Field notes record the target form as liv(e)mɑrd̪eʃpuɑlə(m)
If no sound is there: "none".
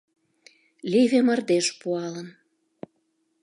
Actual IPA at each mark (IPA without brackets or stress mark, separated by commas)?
e, n